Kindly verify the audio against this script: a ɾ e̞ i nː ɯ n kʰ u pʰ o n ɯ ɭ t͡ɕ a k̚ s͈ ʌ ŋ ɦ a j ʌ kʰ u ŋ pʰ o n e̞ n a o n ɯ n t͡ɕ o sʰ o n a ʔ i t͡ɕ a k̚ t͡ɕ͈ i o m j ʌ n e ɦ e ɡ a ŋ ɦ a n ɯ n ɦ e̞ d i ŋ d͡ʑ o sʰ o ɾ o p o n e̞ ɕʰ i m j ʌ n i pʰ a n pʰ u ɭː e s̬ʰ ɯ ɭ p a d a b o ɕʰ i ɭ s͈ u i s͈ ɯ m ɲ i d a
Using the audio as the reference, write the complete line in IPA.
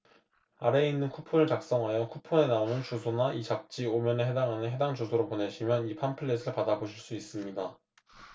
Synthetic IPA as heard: a ɾ e̞ i nː ɯ n kʰ u pʰ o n ɯ ɭ t͡ɕ a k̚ s͈ ʌ ŋ ɦ a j ʌ kʰ u pʰ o n e̞ n a o n ɯ n t͡ɕ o sʰ o n a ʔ i t͡ɕ a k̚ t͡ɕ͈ i o m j ʌ n e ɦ e d a ŋ ɦ a n ɯ n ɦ e̞ d a ŋ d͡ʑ o sʰ o ɾ o p o n e̞ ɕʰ i m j ʌ n i pʰ a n pʰ ɯ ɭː e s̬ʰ ɯ ɭ p a d a b o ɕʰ i ɭ s͈ u i s͈ ɯ m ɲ i d a